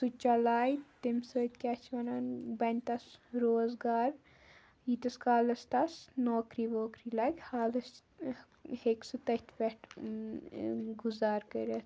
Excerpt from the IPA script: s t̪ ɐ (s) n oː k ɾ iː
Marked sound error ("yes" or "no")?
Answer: no